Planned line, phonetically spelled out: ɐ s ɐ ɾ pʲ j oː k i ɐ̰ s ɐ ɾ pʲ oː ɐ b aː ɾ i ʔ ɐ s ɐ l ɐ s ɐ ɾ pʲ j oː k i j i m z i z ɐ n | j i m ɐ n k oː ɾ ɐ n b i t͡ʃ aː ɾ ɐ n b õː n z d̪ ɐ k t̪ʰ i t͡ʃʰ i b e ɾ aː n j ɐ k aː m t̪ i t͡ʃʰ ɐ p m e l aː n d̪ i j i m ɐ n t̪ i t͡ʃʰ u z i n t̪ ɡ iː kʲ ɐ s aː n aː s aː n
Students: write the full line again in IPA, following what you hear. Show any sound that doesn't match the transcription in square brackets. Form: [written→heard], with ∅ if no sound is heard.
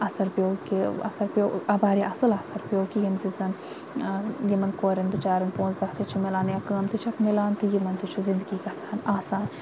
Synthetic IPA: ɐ s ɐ ɾ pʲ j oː k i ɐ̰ s ɐ ɾ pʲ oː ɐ b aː ɾ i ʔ ɐ s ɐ l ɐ s ɐ ɾ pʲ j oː k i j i m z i z ɐ n | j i m ɐ n k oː ɾ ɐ n b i t͡ʃ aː ɾ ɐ n [b→p] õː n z d̪ ɐ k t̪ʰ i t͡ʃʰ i [b→m] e [ɾ→l] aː n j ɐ k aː m t̪ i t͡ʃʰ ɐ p m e l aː n [d̪→t̪] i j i m ɐ n t̪ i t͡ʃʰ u z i n [t̪→d̪] ɡ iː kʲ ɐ s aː n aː s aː n